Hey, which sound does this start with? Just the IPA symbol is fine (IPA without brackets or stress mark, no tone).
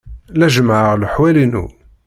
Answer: l